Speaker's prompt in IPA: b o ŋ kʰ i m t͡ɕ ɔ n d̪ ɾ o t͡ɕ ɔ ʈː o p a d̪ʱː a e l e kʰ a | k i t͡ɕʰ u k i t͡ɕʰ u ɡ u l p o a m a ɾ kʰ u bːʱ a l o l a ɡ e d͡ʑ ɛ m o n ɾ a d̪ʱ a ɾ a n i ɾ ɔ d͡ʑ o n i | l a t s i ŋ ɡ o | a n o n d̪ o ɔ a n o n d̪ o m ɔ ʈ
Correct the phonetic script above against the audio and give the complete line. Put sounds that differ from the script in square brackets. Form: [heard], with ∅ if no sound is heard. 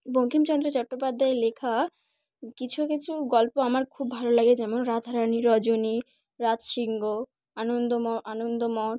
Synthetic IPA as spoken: b o ŋ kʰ i m t͡ɕ ɔ n d̪ ɾ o t͡ɕ ɔ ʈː o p a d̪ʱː a e l e kʰ a | k i t͡ɕʰ u k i t͡ɕʰ u ɡ [ɔ] l p o a m a ɾ kʰ u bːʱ a l o l a ɡ e d͡ʑ ɛ m o n ɾ a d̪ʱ a ɾ a n i ɾ ɔ d͡ʑ o n i | [ɾ] a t [ʃ] i ŋ ɡ o | a n o n d̪ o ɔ a n o n d̪ o m ɔ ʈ